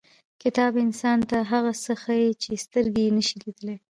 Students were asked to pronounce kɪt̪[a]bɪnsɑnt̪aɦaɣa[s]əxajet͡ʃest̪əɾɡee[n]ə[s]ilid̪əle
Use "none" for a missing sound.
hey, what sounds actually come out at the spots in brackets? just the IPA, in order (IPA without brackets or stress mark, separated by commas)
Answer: ɑ, s, n, ʃ